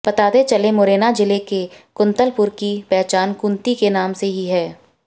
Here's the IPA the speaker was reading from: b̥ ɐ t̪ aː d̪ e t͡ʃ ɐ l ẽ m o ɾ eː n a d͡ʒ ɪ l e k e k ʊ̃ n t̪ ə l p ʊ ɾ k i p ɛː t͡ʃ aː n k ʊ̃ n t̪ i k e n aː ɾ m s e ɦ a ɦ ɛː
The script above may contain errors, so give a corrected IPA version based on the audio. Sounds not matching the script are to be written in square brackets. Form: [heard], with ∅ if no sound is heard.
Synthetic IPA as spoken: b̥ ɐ t̪ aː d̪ e t͡ʃ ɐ l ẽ m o ɾ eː n a d͡ʒ ɪ l e k e k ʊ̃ n t̪ ə l p ʊ ɾ k i p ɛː t͡ʃ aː n k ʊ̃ n t̪ i k e n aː [∅] m s e ɦ [i] ɦ ɛː